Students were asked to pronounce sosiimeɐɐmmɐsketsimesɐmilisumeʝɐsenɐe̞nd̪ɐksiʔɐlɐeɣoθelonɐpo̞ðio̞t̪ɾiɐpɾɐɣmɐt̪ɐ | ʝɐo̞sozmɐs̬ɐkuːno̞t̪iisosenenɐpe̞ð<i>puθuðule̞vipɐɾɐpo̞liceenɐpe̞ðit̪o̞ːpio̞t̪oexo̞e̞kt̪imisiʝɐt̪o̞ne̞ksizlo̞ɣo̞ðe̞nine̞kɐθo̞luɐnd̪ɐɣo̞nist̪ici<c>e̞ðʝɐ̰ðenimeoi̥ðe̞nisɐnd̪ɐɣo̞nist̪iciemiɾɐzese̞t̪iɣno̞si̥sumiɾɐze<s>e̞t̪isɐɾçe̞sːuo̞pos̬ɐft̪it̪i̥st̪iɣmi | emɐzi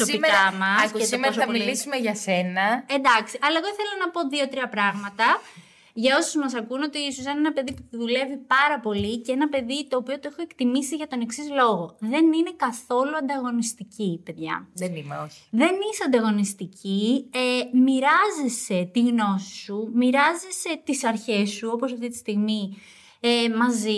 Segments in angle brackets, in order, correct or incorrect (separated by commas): correct, incorrect, correct